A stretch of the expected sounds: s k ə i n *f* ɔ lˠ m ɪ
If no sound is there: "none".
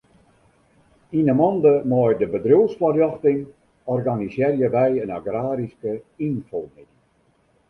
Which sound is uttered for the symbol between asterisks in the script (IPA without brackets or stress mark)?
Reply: f